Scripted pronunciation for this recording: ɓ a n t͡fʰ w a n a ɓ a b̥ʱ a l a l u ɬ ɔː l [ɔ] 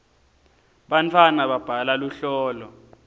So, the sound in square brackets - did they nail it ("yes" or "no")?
yes